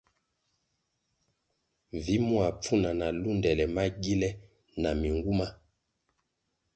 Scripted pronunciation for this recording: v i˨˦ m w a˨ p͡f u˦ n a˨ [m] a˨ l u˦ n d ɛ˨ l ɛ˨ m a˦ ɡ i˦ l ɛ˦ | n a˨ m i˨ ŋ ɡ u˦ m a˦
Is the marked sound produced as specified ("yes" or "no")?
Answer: no